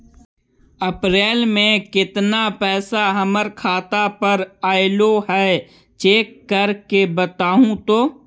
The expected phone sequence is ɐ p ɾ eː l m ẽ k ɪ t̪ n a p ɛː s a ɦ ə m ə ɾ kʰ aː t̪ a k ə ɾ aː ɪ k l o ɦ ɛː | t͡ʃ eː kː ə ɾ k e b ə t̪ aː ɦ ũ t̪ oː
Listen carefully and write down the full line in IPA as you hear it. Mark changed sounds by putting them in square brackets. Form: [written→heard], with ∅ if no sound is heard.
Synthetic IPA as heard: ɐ p ɾ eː l m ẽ k ɪ t̪ n a p ɛː s a ɦ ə m ə ɾ kʰ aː t̪ a [k→p] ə ɾ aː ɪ [k→∅] l o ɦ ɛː | t͡ʃ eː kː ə ɾ k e b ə t̪ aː ɦ ũ t̪ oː

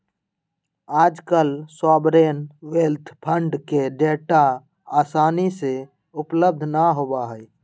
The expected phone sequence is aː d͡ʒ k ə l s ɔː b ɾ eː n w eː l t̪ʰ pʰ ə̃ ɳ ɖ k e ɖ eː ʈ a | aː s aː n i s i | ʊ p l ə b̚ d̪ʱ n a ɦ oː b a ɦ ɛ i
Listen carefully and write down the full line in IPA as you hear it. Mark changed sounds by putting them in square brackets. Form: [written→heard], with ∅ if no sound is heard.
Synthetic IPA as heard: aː d͡ʒ k ə l s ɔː b ɾ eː n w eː l t̪ʰ pʰ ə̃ ɳ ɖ k e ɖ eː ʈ a | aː s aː n i s [i→e] | ʊ p l ə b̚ d̪ʱ n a ɦ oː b a ɦ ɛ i

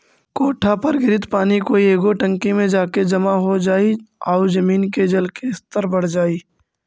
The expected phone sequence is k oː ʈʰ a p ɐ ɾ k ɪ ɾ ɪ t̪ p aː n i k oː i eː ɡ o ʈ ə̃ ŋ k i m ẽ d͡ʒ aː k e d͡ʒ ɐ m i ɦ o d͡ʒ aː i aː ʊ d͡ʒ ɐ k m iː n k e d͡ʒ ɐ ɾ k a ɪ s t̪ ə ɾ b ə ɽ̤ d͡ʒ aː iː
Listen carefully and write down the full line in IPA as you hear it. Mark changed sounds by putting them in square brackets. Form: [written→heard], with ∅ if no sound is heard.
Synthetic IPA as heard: k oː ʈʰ a p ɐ ɾ [k→ɡ] ɪ ɾ ɪ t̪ p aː n i k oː i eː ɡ o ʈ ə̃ ŋ k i m ẽ d͡ʒ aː k e d͡ʒ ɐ m [i→a] ɦ o d͡ʒ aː i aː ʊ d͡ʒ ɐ [k→∅] m iː n k e d͡ʒ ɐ [ɾ→l] k [a→e] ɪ s t̪ ə ɾ b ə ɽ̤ d͡ʒ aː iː

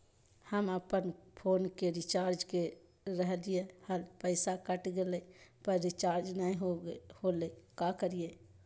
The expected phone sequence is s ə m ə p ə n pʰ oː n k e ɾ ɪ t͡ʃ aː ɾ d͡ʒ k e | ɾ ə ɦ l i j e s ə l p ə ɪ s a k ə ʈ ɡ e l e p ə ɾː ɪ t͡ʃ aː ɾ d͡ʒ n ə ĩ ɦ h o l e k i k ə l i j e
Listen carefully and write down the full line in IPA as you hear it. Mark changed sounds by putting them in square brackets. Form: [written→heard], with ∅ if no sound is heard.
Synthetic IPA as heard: [s→h] ə m ə p ə n pʰ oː n k e ɾ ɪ t͡ʃ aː ɾ d͡ʒ k e | ɾ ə ɦ l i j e [s→h] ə l p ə ɪ s a k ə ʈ ɡ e l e p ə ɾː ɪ t͡ʃ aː ɾ d͡ʒ n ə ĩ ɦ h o l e k [i→a] k ə [l→ɾ] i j e

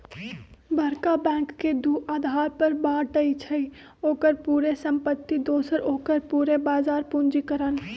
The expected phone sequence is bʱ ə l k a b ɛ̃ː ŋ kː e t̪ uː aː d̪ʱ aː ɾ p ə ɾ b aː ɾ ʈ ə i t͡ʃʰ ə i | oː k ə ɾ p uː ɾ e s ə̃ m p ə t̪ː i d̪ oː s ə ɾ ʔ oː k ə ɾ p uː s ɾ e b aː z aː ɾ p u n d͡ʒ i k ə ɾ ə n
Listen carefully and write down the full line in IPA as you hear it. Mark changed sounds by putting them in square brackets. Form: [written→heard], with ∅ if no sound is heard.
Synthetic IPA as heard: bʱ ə [l→ɾ] k a b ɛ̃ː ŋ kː e [t̪→d̪] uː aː d̪ʱ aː ɾ p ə ɾ b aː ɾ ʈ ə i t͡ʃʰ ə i | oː k ə ɾ p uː ɾ e s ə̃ m p ə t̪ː i d̪ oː s ə ɾ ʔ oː k ə ɾ p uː [s→∅] ɾ e b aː z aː ɾ p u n d͡ʒ i k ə ɾ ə n

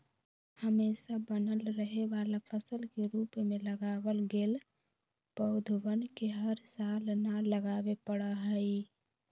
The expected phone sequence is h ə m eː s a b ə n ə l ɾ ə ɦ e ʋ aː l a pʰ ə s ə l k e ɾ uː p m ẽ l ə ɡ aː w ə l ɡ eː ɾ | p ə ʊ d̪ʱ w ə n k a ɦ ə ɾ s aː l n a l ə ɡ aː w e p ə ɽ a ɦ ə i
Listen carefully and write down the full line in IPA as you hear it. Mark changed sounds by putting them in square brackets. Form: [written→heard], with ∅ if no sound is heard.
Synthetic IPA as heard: h ə m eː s a b ə n ə l ɾ ə ɦ e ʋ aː l a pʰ ə s ə l k e ɾ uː p m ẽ l ə ɡ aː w ə l ɡ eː [ɾ→l] | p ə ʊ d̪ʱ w ə n k [a→e] ɦ ə ɾ s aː l n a l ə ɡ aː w e p ə ɽ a ɦ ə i

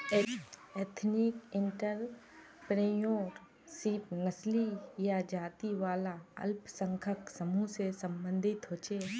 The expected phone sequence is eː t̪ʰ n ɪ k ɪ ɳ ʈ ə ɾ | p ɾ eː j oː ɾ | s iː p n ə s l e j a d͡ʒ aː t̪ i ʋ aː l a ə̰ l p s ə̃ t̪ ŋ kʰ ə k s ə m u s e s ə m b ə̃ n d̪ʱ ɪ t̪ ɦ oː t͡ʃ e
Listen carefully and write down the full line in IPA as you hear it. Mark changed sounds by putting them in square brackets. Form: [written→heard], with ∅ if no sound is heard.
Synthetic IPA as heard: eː t̪ʰ n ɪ k ɪ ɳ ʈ ə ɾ | p ɾ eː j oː ɾ | s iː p n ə s l [e→i] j a d͡ʒ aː t̪ i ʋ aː l a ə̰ l p s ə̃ [t̪→∅] ŋ kʰ ə k s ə m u s e s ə m b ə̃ n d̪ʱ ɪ t̪ ɦ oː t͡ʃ e

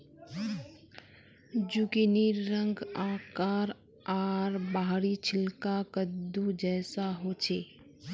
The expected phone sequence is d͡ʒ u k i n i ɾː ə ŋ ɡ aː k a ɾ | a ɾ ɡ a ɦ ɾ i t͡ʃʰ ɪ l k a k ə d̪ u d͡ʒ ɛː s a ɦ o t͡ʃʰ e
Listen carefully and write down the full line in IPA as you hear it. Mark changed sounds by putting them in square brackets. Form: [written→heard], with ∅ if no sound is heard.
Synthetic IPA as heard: d͡ʒ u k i n i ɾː ə ŋ ɡ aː k a ɾ | a ɾ [ɡ→b] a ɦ ɾ i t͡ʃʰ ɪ l k a k ə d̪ u d͡ʒ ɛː s a ɦ o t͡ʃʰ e

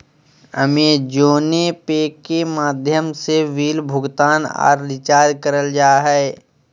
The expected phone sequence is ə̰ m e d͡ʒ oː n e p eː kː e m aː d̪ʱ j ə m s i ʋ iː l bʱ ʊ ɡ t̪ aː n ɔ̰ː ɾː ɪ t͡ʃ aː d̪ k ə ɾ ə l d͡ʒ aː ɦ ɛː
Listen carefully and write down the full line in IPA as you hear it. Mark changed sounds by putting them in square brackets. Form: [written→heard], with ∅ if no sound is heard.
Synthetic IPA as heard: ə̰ m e d͡ʒ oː n e p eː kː e m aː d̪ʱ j ə m s [i→e] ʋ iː l bʱ ʊ ɡ t̪ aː n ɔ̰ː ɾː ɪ t͡ʃ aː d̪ k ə ɾ ə l d͡ʒ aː ɦ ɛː

